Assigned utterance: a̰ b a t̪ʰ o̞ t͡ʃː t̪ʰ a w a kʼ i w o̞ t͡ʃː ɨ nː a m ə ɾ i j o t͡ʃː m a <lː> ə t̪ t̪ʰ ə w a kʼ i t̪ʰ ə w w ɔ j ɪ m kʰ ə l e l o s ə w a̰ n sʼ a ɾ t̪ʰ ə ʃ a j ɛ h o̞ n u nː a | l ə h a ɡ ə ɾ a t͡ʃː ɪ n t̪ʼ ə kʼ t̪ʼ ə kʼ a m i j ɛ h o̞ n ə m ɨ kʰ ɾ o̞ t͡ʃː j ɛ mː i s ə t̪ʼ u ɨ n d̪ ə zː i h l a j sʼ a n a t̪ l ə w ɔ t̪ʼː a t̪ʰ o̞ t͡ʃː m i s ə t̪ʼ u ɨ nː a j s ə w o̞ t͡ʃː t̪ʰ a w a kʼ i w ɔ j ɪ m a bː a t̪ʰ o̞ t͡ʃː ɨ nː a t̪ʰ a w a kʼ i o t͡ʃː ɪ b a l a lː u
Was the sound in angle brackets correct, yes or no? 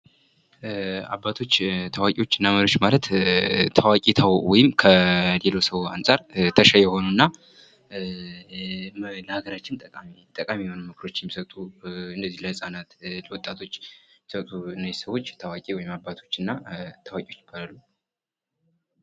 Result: no